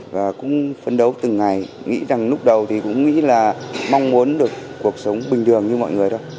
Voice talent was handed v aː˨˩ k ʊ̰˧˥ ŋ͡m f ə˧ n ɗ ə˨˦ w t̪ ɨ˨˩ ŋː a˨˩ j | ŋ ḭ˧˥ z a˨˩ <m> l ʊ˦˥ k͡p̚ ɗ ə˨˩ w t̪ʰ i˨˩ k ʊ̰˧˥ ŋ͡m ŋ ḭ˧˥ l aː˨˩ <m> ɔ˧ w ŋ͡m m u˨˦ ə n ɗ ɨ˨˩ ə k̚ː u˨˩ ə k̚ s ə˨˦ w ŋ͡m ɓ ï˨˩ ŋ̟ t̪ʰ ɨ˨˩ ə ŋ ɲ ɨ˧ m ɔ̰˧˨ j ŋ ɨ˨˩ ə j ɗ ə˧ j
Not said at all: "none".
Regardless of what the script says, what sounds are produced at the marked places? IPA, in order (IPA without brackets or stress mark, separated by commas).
ŋ, m